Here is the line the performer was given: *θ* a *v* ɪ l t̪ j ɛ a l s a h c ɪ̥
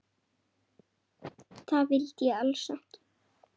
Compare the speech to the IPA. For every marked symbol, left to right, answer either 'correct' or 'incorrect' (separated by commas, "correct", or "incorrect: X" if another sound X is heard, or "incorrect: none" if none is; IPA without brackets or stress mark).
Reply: correct, correct